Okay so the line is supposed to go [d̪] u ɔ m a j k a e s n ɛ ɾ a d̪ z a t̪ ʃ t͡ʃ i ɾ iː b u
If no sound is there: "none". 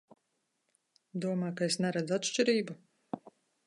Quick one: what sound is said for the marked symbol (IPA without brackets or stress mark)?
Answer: d̪